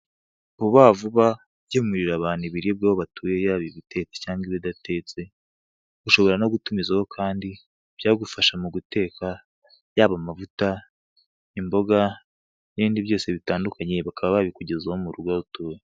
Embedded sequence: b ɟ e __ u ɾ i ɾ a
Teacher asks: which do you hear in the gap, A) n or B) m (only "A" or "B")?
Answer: B